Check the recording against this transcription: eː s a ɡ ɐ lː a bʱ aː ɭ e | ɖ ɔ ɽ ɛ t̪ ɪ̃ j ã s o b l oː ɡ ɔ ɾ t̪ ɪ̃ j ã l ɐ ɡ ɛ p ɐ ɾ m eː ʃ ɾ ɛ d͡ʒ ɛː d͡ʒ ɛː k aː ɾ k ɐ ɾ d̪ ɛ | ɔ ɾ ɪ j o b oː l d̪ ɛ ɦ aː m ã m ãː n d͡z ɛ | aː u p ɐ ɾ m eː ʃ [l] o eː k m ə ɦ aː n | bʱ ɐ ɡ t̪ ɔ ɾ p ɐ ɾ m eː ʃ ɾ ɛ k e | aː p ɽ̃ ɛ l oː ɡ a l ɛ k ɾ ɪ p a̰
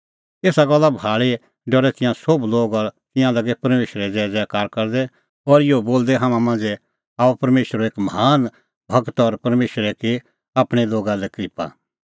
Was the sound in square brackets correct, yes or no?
no